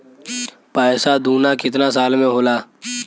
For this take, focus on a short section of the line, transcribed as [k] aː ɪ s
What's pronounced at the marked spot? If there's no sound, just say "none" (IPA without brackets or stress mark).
p